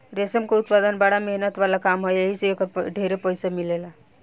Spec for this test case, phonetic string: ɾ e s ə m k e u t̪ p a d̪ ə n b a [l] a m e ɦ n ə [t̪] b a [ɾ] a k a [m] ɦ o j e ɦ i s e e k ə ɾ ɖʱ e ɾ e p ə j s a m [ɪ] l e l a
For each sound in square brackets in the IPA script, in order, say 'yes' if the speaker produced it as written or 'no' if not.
no, yes, no, yes, no

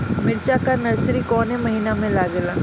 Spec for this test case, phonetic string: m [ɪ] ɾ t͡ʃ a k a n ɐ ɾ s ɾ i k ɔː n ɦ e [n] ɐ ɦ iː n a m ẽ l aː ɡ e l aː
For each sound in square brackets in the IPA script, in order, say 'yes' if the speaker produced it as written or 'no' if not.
yes, no

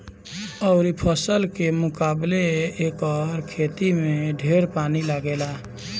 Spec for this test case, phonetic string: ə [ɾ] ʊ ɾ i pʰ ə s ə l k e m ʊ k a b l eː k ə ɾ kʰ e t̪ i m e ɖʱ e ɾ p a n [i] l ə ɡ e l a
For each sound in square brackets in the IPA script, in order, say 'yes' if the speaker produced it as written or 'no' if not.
no, yes

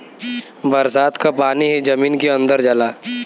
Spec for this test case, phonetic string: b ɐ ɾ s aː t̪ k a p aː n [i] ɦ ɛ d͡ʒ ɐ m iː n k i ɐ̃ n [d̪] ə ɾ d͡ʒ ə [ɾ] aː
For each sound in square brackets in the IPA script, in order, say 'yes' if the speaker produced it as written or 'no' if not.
yes, yes, no

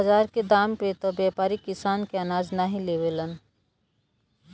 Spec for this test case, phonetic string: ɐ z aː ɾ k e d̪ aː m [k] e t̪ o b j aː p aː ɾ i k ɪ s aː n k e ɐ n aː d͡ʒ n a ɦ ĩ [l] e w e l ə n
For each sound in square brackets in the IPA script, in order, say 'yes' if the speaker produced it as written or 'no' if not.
no, yes

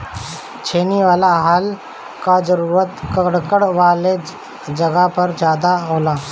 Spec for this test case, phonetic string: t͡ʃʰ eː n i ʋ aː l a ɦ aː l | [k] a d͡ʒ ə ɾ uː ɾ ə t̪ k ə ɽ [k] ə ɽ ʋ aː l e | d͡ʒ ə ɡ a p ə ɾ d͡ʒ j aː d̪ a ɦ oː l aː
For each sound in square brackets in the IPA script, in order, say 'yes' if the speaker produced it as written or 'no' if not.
yes, yes

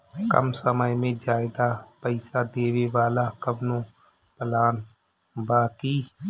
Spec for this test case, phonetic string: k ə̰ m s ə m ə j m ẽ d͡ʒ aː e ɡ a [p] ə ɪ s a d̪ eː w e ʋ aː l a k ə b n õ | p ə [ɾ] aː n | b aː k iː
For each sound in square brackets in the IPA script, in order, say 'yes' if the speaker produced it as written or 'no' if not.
yes, no

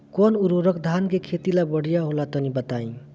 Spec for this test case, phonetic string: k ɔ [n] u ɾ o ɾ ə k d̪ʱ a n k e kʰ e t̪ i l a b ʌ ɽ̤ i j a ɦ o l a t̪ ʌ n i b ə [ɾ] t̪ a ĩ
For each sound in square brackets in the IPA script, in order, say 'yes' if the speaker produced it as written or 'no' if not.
yes, no

